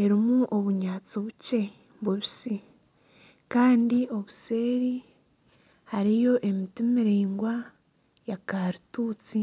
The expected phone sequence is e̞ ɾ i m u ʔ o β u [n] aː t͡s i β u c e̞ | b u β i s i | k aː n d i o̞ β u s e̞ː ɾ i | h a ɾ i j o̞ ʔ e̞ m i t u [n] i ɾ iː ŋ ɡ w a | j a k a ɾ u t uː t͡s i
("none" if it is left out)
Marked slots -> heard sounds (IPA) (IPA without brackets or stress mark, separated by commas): ɲ, m